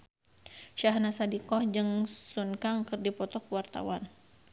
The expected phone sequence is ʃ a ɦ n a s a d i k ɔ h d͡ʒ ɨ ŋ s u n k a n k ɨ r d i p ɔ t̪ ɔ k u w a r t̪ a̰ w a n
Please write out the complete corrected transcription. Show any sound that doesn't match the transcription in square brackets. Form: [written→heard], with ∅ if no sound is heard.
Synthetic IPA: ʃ a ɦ n a s a d i k ɔ h d͡ʒ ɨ ŋ s u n k a [n→ŋ] k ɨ r d i p ɔ t̪ ɔ k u w a r t̪ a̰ w a n